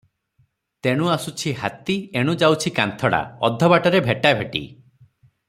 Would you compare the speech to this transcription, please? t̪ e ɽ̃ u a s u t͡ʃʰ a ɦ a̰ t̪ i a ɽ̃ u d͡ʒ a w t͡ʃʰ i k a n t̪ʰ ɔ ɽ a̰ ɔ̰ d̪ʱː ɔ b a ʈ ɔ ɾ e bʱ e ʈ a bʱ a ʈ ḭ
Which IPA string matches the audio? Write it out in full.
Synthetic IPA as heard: t̪ e ɽ̃ u a s u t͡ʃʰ i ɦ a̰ t̪ i e ɽ̃ u d͡ʒ a w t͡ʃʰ i k a n t̪ʰ ɔ ɽ a̰ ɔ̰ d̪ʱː ɔ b a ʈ ɔ ɾ e bʱ e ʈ a bʱ e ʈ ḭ